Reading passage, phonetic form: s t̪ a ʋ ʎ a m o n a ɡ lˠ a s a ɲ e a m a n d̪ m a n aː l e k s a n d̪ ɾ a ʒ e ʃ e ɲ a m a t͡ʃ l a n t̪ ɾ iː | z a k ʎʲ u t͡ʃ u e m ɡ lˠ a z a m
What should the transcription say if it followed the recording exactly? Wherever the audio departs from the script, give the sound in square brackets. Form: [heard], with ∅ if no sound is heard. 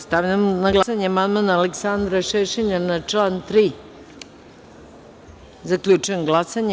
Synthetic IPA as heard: s t̪ a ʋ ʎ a m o n a ɡ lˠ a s a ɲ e a m a n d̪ m a n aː l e k s a n d̪ ɾ a [ʃ] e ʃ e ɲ a [n] a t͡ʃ l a n t̪ ɾ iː | z a k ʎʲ u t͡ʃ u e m ɡ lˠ a [s] a [ɲ]

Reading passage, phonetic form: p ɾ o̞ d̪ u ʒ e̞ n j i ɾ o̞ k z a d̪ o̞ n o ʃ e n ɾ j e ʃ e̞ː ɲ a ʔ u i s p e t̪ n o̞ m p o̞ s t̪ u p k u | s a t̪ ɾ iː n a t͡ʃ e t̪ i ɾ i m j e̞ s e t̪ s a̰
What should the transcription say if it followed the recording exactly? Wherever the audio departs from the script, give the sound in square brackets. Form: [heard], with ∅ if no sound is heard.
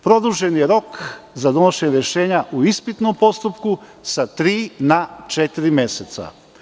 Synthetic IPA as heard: p ɾ o̞ d̪ u ʒ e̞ n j [e] ɾ o̞ k z a d̪ o̞ n o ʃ e [ɲ] ɾ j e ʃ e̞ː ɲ a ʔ u i s p [i] t̪ n o̞ m p o̞ s t̪ u p k u | s a t̪ ɾ iː n a t͡ʃ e t̪ i ɾ i m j e̞ s e t̪ s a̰

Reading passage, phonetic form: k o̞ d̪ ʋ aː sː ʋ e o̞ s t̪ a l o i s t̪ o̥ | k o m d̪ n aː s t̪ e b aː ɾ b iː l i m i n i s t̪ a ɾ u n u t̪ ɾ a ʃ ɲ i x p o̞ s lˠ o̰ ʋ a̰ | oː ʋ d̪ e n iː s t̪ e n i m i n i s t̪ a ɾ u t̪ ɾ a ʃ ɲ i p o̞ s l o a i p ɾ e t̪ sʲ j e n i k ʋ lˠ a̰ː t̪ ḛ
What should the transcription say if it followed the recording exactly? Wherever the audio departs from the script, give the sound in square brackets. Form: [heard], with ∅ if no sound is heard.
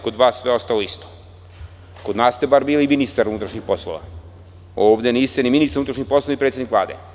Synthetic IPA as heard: k o̞ d̪ ʋ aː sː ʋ e o̞ s t̪ a l o i s t̪ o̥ | k o [∅] d̪ n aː s t̪ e b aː ɾ b iː l i m i n i s t̪ a ɾ u n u t̪ ɾ a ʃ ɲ i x p o̞ s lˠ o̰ ʋ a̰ | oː ʋ d̪ e n iː s t̪ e n i m i n i s t̪ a ɾ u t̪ ɾ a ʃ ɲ i p o̞ s l o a i p ɾ e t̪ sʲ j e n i k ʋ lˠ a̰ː [d̪] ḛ

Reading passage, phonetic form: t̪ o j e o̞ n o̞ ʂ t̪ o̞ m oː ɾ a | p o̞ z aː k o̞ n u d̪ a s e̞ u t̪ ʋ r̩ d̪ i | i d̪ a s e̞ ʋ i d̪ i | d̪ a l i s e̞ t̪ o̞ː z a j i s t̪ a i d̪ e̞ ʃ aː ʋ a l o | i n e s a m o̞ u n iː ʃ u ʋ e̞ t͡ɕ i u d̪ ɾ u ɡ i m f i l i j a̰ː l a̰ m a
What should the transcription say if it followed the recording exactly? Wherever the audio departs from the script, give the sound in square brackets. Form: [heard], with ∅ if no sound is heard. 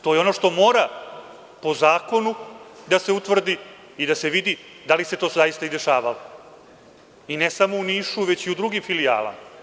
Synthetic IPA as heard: t̪ o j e o̞ n o̞ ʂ t̪ o̞ m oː ɾ a | p o̞ z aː k o̞ n u d̪ a s e̞ u t̪ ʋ r̩ d̪ i | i d̪ a s e̞ ʋ i d̪ i | d̪ a l i s e̞ t̪ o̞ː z a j i s t̪ a i d̪ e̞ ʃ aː ʋ a l o | i n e s a m o̞ u n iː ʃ u ʋ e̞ t͡ɕ i u d̪ ɾ u ɡ i m f i l i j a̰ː l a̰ m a

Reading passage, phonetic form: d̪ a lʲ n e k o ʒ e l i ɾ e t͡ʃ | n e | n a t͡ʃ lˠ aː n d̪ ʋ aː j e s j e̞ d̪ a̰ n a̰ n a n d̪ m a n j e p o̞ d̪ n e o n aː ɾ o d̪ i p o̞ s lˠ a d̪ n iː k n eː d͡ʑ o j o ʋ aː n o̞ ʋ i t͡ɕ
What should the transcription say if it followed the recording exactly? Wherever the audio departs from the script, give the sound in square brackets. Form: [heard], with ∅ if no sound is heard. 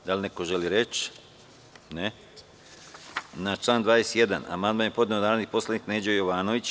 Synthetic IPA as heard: d̪ a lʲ n e k o ʒ e l i ɾ e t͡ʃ | n e | n a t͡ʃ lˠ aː n d̪ ʋ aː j e s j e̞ d̪ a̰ n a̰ [m] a n d̪ m a n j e p o̞ d̪ n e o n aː ɾ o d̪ i p o̞ s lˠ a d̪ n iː k n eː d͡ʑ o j o ʋ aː n o̞ ʋ i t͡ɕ

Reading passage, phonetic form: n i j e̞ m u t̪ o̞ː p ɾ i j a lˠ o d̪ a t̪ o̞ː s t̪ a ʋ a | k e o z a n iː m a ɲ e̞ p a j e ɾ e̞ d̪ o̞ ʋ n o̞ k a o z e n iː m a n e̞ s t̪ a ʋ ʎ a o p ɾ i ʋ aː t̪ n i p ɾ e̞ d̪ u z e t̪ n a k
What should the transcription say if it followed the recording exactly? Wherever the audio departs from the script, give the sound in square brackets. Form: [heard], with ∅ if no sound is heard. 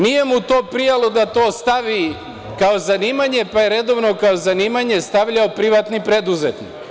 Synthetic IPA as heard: n i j e̞ m u t̪ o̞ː p ɾ i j a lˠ o d̪ a t̪ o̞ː s t̪ a ʋ [i] | k [a] o z a n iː m a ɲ e̞ p a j e ɾ e̞ d̪ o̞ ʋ n o̞ k a o z [a] n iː m a [ɲ] e̞ s t̪ a ʋ ʎ a o p ɾ i ʋ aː t̪ n i p ɾ e̞ d̪ u z e t̪ n [i] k

